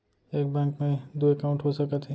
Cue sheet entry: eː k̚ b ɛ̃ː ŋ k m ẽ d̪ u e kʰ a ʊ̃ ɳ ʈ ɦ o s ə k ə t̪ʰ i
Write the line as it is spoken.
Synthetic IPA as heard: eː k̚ b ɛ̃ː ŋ k m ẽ d̪ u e k a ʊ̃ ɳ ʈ ɦ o s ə k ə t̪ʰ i